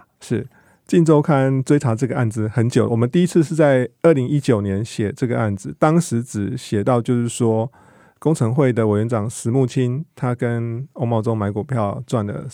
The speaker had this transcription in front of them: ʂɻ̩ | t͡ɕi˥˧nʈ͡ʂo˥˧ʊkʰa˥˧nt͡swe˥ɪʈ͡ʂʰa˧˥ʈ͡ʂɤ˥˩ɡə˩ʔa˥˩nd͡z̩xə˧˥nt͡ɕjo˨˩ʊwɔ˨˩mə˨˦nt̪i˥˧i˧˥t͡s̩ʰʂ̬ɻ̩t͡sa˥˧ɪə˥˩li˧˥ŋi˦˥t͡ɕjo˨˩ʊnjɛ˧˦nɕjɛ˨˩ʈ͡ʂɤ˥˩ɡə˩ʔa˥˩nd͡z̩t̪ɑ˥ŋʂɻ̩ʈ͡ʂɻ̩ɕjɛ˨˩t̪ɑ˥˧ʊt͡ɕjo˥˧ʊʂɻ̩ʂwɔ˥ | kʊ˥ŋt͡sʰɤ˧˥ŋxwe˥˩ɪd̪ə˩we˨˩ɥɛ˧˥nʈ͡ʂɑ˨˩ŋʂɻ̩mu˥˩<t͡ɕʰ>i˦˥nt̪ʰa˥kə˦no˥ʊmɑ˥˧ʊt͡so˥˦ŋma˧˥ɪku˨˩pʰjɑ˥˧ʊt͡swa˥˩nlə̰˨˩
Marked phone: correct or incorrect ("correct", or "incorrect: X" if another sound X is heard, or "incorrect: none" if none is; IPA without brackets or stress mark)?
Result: correct